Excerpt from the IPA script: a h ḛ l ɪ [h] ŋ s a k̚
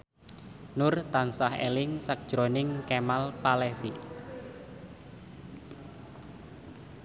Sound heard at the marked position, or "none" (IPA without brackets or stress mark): none